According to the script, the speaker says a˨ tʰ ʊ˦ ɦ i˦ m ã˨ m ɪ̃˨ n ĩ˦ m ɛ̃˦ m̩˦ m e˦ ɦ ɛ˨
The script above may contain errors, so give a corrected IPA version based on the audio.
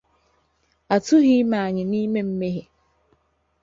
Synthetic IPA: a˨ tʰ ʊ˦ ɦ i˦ m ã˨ ɲ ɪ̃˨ n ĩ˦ m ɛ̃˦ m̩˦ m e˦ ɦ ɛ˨